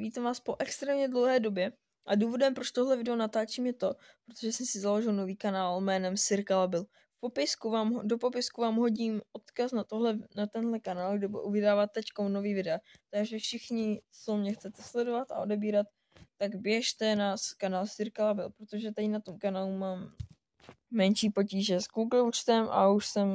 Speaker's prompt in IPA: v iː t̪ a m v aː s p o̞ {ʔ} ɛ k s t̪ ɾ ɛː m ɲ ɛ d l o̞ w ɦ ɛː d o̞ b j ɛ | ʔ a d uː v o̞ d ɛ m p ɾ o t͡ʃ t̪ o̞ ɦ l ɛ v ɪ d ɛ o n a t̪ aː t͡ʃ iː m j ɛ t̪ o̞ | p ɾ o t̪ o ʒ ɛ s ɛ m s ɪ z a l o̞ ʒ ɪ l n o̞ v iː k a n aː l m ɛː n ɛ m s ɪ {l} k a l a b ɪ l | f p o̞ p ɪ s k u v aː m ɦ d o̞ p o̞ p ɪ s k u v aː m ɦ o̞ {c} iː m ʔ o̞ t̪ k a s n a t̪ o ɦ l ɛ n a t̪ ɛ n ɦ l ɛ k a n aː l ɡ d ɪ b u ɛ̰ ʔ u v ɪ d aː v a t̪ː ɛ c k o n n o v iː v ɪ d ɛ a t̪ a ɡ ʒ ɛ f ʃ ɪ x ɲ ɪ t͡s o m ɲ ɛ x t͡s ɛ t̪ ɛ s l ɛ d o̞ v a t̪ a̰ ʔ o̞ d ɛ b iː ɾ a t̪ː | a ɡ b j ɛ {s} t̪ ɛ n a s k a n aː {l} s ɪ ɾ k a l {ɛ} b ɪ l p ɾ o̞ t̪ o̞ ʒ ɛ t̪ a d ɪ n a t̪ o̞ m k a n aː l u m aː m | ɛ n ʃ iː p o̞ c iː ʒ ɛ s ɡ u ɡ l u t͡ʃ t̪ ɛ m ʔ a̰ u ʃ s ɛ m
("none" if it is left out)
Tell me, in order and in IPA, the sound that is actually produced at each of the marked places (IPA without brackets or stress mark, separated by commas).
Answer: ʔ, ɾ, ɟ, ʃ, l, a